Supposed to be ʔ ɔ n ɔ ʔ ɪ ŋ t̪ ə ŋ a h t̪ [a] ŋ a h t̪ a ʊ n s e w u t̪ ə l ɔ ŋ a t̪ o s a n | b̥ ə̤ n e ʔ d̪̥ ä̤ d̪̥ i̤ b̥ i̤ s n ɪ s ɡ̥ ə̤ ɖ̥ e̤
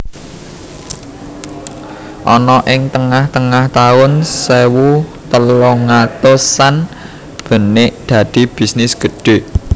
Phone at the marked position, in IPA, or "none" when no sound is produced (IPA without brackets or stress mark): ə